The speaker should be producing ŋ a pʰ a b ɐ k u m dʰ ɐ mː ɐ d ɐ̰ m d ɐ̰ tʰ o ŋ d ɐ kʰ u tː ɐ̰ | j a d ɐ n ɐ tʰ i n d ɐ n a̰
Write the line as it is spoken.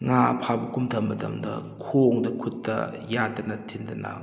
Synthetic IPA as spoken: ŋ a pʰ a b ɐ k u m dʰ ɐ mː ɐ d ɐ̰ m d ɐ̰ kʰ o ŋ d ɐ kʰ u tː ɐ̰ | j a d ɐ n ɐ tʰ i n d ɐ n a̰

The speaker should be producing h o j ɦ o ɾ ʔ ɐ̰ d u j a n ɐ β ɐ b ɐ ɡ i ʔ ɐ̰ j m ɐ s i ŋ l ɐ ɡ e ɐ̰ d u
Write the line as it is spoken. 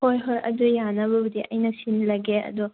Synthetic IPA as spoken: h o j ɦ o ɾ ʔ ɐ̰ d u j a n ɐ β ɐ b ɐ d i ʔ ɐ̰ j n ɐ s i n l ɐ ɡ e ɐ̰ d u

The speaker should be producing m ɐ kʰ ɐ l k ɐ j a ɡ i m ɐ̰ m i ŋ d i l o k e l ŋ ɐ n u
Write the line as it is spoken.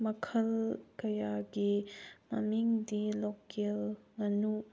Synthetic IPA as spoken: m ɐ kʰ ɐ l k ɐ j a ɡ i m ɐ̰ m i ŋ d i l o k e l ŋ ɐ n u

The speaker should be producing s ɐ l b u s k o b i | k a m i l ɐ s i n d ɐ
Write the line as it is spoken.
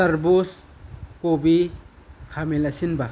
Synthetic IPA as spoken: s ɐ ɾ b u s k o b i | kʰ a m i l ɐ s i n b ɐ

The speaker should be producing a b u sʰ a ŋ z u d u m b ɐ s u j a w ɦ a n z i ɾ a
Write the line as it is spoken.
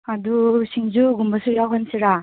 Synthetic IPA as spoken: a d u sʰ i ŋ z u ɡ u m b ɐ s u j a w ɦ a n s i ɾ a

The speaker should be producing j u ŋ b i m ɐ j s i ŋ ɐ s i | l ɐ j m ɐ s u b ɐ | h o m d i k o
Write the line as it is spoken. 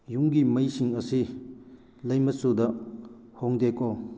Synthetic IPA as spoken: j u ŋ ɡ i m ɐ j s i ŋ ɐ s i | l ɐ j m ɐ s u d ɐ | h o ŋ d e k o

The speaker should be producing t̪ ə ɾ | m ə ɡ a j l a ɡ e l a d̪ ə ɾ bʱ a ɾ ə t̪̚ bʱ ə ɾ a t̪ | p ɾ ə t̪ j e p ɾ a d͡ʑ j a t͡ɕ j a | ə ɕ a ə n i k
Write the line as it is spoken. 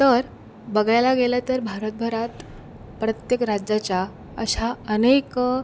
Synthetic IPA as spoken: t̪ ə ɾ | b ə ɡ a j l a ɡ e l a t̪ ə ɾ bʱ a ɾ ə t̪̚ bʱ ə ɾ a t̪ | p ɾ ə t̪ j e k ɾ a d͡ʑ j a t͡ɕ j a | ə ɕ a ə n e k

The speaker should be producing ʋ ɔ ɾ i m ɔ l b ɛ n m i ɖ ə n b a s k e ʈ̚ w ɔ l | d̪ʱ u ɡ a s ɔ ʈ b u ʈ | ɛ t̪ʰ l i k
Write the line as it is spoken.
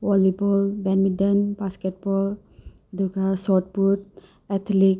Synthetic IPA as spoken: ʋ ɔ l i b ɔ l b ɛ n m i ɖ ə n b a s k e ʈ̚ b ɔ l | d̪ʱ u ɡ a s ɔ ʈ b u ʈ | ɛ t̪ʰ l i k

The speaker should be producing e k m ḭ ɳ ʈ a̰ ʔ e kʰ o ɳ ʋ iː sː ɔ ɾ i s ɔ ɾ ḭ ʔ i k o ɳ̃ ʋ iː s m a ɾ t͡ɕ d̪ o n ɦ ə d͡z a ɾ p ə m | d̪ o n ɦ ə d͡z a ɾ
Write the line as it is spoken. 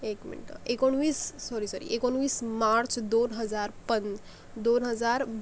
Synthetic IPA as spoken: e k m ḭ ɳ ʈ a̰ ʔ e k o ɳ ʋ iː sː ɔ ɾ i s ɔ ɾ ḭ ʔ e k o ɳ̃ ʋ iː s m a ɾ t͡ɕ d̪ o n ɦ ə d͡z a ɾ p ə n | d̪ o n ɦ ə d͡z a ɾ

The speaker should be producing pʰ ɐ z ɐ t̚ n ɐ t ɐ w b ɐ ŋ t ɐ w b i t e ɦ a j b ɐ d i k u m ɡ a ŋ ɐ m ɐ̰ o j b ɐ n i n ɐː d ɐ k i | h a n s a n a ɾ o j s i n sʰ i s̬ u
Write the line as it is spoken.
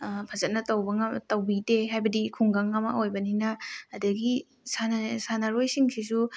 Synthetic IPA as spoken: pʰ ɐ z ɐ t̚ n ɐ t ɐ w b ɐ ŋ t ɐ w b i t e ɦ a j b ɐ d i kʰ u ŋ ɡ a ŋ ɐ m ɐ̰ o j b ɐ n i n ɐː d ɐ ɡ i | s a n s a n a ɾ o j s i ŋ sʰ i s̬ u

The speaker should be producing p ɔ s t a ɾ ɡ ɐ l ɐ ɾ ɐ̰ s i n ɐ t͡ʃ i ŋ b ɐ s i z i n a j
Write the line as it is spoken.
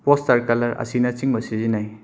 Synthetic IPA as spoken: p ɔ s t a ɾ k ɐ l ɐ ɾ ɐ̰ s i n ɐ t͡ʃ i ŋ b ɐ s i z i n a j

